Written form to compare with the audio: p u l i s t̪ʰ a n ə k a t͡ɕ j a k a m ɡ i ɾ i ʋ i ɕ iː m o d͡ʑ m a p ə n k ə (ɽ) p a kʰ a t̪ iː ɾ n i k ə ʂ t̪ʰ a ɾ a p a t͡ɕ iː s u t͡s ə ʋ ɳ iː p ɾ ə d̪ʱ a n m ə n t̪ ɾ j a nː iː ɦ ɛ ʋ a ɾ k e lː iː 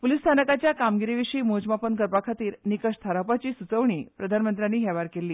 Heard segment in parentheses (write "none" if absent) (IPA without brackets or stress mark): ɾ